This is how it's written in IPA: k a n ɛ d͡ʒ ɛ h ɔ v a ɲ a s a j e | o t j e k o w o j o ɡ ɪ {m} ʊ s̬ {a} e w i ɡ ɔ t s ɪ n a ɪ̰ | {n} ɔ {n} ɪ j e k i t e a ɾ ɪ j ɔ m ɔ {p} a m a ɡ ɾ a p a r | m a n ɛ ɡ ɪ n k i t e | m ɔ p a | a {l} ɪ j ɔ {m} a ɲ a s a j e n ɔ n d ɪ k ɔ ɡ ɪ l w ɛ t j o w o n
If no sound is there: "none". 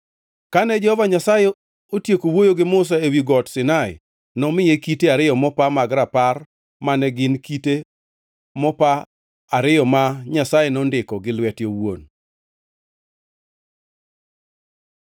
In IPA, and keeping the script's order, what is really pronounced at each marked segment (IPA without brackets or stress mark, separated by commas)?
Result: m, a, n, m, p, ɾ, m